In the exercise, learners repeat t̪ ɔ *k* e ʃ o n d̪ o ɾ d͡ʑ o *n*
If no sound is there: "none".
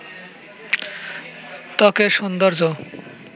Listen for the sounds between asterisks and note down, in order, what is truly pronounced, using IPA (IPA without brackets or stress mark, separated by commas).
k, none